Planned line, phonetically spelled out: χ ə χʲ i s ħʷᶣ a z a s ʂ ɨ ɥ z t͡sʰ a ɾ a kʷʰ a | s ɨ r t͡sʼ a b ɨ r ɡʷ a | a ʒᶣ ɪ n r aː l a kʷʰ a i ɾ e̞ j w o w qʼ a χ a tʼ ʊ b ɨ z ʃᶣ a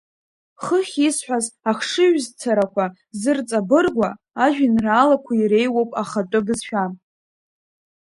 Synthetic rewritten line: χ ə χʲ i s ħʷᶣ a z a χ ʂ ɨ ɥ z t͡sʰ a ɾ a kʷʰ a | z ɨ r t͡sʼ a b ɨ r ɡʷ a | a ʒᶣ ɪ n r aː l a kʷʰ a i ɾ e̞ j w o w pʼ a χ a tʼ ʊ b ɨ z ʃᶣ a